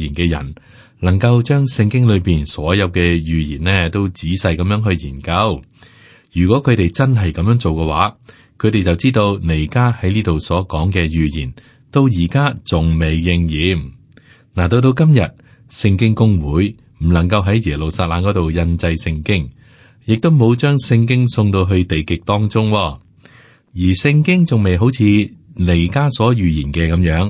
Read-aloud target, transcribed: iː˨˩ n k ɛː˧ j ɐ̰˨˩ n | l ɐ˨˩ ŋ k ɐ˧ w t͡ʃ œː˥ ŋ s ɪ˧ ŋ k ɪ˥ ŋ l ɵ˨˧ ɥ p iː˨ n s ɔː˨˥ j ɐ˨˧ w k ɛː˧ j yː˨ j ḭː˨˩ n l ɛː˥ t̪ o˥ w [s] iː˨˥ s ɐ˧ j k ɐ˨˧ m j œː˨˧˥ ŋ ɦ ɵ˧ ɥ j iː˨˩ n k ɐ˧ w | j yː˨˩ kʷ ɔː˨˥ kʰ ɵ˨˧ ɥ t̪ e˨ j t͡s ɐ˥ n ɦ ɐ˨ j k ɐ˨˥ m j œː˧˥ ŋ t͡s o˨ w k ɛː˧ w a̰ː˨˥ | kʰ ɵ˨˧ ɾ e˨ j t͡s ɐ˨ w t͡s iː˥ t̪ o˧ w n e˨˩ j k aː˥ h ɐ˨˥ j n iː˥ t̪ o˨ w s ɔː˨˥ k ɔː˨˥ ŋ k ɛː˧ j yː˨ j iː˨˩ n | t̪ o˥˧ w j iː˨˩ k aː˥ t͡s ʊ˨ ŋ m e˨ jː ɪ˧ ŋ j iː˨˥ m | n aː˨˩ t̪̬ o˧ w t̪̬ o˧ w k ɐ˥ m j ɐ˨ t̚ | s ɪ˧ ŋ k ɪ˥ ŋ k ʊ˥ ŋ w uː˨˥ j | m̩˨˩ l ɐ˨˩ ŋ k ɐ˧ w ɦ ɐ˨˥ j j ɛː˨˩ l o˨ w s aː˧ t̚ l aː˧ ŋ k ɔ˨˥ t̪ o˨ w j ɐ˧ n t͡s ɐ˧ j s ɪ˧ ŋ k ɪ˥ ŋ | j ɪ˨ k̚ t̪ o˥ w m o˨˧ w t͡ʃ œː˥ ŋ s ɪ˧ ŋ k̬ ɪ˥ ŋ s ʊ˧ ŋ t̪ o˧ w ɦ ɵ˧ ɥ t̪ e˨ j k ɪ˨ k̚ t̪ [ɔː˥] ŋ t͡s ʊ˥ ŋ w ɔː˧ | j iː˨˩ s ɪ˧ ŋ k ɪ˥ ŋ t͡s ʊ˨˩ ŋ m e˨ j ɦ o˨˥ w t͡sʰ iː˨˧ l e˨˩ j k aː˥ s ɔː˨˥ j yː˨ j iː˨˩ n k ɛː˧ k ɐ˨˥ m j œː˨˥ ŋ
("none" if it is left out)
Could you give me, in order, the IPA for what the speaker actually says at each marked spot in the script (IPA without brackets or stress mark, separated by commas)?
t͡s, ɔː˥